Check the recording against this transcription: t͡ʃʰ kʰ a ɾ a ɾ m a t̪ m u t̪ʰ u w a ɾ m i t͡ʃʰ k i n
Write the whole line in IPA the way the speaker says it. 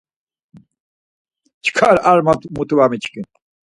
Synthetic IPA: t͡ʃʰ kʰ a ɾ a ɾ m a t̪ m u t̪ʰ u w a m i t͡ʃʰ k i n